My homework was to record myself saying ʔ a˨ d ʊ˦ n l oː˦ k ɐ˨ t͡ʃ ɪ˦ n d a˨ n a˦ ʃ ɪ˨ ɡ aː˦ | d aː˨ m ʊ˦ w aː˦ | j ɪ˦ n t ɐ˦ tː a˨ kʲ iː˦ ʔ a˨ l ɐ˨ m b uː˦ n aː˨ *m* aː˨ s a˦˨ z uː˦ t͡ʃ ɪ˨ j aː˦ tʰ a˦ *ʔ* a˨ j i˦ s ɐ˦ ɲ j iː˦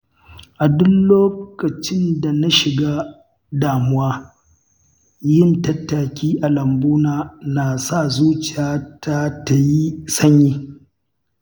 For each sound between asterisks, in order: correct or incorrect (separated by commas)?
incorrect, incorrect